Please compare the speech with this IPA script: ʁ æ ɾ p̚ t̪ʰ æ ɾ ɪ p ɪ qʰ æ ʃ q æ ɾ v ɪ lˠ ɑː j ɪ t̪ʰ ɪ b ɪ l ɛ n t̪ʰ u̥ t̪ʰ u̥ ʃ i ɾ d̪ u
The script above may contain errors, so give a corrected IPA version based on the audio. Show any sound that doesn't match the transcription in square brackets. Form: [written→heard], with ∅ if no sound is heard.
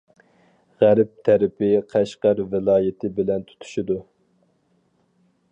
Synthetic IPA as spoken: ʁ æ ɾ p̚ t̪ʰ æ ɾ ɪ p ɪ qʰ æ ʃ q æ ɾ v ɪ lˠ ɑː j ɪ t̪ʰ ɪ b ɪ l ɛ n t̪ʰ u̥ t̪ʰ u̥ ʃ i [ɾ→∅] d̪ u